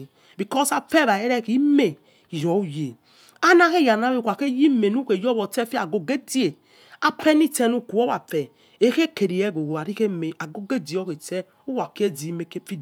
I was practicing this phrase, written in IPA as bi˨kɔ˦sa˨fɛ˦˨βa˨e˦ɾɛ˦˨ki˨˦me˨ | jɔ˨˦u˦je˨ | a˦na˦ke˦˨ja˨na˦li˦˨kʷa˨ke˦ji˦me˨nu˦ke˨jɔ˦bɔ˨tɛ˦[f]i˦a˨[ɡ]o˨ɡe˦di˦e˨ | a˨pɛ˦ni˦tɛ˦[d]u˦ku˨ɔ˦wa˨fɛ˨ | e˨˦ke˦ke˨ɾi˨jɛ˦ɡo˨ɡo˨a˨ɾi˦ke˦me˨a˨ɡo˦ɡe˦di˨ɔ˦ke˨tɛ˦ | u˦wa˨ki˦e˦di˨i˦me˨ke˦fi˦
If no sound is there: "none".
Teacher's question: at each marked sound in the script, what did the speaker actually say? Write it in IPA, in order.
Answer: f, ɡ, n

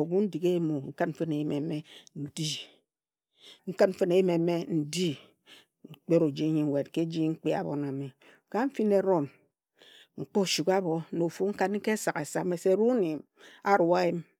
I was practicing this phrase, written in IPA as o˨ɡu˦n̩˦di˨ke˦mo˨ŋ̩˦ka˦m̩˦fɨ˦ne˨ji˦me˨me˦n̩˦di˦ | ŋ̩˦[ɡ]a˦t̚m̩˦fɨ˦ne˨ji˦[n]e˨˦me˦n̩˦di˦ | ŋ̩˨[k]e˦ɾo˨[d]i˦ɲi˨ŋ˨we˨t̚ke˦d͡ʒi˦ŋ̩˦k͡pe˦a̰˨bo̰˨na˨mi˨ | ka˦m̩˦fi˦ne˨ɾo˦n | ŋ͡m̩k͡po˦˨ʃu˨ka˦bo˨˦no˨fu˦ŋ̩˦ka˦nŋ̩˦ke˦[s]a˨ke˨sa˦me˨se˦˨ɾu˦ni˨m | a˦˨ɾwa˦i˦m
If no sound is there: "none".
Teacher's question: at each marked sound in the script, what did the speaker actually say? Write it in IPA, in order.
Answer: k, m, k͡p, d͡ʒ, s

